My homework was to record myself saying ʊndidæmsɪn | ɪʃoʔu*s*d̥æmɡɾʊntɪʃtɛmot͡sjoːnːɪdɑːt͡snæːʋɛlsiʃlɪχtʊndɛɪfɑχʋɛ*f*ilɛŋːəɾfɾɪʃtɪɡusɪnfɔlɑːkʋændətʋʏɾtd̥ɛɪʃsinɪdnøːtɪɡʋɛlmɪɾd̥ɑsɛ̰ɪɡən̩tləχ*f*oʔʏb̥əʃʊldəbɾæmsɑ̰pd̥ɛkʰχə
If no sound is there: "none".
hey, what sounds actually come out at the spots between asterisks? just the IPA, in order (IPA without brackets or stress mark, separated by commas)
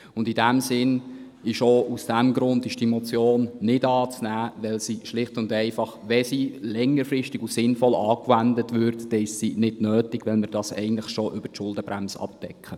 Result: s, s, ʃ